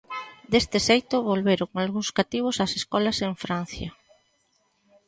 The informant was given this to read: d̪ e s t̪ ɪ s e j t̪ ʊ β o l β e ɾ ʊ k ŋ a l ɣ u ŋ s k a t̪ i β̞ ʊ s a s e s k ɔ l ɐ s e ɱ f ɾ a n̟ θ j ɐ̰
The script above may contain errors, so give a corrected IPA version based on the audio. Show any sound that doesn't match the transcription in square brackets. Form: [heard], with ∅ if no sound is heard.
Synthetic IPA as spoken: d̪ e s t̪ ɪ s e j t̪ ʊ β o l β e ɾ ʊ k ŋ a l ɣ u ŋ s k a t̪ i β̞ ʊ s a s e s k ɔ l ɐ s e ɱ f ɾ a n̟ θ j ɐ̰